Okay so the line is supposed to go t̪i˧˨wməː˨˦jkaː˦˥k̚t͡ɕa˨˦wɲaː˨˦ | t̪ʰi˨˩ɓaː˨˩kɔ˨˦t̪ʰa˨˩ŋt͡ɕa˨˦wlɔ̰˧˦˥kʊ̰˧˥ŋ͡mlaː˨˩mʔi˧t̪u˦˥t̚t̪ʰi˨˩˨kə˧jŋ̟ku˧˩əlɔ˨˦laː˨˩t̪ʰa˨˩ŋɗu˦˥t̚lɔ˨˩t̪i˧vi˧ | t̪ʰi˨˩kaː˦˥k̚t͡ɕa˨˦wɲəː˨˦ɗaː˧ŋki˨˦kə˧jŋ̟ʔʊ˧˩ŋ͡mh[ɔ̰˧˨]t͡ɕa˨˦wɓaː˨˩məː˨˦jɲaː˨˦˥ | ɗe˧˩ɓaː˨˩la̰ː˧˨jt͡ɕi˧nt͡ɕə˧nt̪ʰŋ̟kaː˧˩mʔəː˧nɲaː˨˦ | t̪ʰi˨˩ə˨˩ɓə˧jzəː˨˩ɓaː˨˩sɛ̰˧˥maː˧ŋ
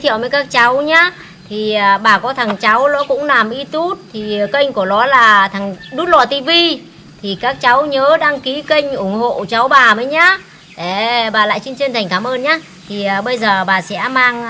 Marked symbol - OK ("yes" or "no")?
no